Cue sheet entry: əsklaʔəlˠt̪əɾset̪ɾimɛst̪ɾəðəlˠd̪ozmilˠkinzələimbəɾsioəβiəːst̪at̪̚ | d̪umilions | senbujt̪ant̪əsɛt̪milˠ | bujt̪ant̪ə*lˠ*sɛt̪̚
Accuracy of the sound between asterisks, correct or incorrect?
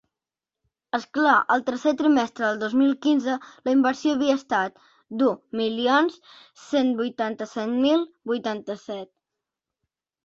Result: incorrect: none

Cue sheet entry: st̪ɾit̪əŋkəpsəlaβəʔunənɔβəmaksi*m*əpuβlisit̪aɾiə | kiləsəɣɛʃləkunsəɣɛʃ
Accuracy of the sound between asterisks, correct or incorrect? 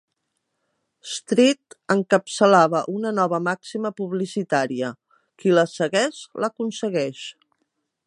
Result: correct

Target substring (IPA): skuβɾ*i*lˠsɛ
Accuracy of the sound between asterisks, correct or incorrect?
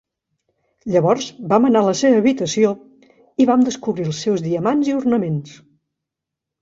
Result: correct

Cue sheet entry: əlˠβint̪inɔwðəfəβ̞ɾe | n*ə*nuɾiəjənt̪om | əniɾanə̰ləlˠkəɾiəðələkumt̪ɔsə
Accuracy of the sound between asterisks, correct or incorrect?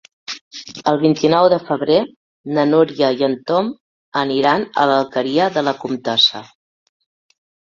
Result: correct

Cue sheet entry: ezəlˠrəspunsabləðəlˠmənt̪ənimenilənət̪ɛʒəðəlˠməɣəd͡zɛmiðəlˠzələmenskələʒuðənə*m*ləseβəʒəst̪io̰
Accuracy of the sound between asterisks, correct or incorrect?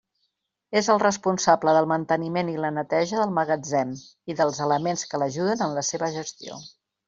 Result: incorrect: n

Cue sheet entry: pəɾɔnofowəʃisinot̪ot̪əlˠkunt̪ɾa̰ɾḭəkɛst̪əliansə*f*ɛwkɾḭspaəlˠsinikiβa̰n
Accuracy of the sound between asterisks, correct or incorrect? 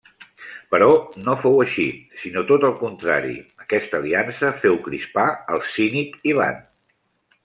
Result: correct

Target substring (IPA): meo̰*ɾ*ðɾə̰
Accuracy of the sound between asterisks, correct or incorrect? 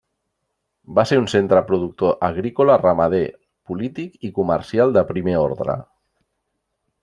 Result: correct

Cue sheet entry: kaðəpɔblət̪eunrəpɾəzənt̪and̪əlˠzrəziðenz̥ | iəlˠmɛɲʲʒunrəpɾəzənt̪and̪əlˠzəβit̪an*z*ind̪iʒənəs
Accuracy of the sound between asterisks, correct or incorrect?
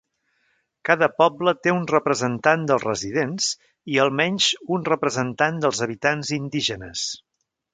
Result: correct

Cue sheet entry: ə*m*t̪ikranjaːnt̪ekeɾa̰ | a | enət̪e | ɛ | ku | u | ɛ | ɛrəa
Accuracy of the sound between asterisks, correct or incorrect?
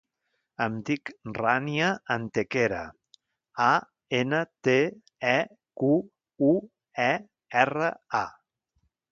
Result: correct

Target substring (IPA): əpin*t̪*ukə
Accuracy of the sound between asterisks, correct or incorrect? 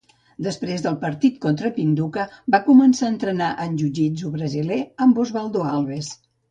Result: incorrect: d̪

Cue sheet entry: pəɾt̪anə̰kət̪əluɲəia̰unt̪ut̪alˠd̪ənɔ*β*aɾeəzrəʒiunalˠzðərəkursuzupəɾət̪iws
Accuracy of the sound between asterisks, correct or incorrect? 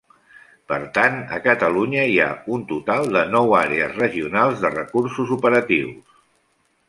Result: incorrect: w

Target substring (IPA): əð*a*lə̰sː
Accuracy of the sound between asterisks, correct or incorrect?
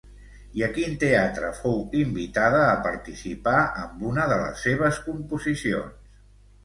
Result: incorrect: ə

